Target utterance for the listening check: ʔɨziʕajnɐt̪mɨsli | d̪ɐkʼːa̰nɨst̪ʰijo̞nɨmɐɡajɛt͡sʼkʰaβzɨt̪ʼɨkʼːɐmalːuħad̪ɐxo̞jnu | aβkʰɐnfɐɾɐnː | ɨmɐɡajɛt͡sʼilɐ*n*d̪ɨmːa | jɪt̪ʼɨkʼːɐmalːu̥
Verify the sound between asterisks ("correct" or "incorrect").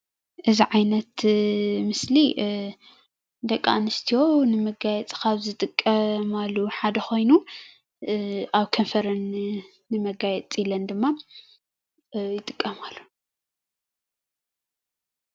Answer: correct